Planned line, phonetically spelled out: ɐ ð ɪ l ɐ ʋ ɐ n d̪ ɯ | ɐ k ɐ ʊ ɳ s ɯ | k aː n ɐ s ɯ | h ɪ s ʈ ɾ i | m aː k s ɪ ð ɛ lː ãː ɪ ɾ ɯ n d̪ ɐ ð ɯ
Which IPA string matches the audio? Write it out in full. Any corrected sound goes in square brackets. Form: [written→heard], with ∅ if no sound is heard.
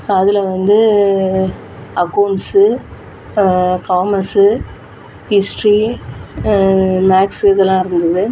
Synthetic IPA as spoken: ɐ ð ɪ l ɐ ʋ ɐ n d̪ ɯ | ɐ k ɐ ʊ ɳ s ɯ | k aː [n→m] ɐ s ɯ | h ɪ s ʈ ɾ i | m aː k s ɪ ð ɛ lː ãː ɪ ɾ ɯ n d̪ ɐ ð ɯ